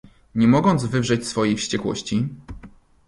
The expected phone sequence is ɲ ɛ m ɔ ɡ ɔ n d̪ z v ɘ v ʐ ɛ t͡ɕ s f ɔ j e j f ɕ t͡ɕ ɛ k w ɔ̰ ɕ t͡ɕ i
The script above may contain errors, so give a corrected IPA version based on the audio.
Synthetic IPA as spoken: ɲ ɛ m ɔ ɡ ɔ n d̪ z v ɘ v ʐ ɛ t͡ɕ s f ɔ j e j f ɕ t͡ɕ ɛ k w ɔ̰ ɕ t͡ɕ i